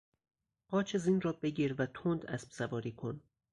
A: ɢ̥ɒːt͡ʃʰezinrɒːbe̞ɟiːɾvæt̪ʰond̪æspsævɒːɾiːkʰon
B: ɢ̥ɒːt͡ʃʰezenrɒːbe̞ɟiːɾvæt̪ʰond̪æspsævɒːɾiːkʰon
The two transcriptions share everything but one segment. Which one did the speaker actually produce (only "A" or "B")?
A